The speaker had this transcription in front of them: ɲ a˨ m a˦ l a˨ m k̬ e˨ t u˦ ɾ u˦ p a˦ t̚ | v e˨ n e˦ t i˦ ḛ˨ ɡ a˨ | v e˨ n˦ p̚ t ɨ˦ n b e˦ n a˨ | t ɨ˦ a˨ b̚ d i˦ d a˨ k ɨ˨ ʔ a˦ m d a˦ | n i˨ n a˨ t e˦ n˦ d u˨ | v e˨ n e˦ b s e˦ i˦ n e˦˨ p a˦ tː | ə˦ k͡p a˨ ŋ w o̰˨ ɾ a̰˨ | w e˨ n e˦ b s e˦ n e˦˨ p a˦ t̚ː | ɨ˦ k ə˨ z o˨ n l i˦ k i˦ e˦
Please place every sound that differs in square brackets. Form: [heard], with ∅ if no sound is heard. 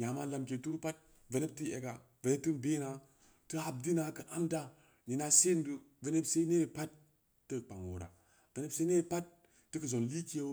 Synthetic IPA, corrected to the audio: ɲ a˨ m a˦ l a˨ m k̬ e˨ t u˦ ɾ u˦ p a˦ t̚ | v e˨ n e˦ t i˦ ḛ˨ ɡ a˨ | v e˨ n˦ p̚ t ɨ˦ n b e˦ n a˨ | t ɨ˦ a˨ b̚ d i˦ [n] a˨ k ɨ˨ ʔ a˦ m d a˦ | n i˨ n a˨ [s] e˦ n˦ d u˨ | v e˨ n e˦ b s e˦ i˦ n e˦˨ p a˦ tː | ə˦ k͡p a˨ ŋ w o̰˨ ɾ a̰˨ | [v] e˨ n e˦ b s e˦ n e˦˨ p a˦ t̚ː | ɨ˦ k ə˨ z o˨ n l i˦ k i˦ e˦